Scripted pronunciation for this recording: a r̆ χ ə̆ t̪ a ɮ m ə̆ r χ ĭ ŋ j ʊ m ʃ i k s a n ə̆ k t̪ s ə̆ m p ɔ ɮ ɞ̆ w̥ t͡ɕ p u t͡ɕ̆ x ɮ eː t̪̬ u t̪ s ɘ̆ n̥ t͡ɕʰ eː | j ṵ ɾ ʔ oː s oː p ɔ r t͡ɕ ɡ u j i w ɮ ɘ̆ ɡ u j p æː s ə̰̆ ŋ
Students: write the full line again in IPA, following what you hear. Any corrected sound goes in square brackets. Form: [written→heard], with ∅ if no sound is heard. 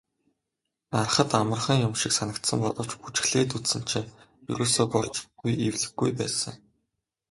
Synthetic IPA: a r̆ χ ə̆ t̪ a [ɮ→∅] m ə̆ r χ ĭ ŋ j ʊ m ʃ i k s a n ə̆ k t̪ s ə̆ m p ɔ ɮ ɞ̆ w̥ t͡ɕ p u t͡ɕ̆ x ɮ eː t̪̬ u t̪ s ɘ̆ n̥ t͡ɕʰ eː | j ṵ ɾ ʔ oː s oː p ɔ r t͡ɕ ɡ u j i w ɮ ɘ̆ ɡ u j p æː s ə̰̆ ŋ